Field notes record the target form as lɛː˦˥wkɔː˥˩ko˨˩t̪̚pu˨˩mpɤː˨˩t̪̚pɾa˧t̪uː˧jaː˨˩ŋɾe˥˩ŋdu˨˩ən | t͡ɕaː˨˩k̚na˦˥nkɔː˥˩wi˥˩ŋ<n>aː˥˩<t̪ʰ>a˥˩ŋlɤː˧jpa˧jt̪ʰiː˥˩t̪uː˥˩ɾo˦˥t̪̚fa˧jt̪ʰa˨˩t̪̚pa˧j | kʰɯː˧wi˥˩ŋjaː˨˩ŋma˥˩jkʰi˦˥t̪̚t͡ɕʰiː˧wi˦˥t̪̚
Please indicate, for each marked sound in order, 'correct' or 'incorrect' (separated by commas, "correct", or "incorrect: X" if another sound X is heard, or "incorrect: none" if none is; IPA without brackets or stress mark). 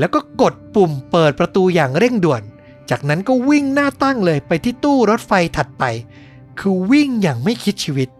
correct, incorrect: t̪